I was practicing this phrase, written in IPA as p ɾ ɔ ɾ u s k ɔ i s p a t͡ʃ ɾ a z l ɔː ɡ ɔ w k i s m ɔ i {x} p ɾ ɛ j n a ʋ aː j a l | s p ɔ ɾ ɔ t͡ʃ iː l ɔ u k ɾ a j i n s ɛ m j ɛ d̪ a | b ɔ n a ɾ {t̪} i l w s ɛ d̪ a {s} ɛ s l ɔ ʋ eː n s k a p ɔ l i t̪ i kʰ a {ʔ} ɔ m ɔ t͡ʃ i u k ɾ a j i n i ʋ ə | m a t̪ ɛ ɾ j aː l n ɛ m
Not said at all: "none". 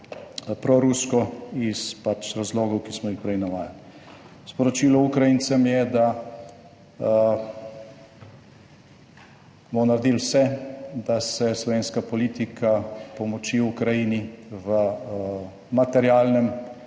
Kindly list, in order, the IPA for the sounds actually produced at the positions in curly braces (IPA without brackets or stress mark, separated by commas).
x, d̪, s, p